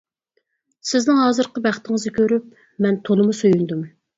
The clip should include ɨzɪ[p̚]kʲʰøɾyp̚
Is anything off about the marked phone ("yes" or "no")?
yes